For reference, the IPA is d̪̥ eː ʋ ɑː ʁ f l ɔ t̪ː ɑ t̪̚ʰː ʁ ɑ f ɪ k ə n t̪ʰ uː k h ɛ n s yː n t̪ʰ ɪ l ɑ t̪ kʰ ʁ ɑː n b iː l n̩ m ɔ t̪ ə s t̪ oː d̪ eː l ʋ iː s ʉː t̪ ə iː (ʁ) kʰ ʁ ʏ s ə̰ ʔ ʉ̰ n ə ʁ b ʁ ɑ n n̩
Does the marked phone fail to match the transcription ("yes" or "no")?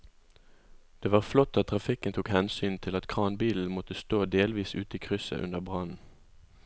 yes